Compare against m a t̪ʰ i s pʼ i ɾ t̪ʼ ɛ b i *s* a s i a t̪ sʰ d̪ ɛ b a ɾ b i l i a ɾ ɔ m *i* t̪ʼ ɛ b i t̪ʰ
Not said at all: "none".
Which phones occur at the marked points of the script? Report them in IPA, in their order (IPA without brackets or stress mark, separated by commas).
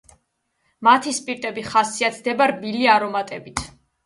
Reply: χ, a